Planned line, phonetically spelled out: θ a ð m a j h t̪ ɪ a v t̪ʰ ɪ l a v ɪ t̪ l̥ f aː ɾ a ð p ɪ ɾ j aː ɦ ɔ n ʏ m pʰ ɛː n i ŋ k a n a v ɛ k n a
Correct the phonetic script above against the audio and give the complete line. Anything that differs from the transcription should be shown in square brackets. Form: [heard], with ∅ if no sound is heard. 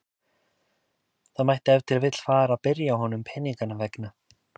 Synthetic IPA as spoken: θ a ð m a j h t̪ ɪ [ɛ] v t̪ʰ ɪ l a v ɪ t̪ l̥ f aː ɾ a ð p ɪ ɾ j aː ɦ ɔ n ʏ m pʰ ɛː n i ŋ k a n a v ɛ k n a